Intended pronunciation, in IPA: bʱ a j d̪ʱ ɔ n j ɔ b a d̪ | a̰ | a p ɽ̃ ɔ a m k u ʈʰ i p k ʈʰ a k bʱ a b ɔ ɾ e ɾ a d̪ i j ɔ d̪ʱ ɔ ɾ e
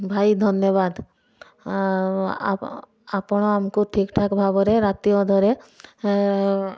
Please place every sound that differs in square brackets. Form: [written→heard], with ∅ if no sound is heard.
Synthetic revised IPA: bʱ a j d̪ʱ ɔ n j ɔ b a d̪ | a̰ | a p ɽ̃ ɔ a m k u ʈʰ i [p→∅] k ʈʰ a k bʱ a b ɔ ɾ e ɾ a [d̪→t̪] i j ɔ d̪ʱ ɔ ɾ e